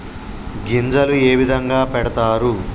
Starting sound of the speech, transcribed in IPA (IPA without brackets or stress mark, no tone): ɡ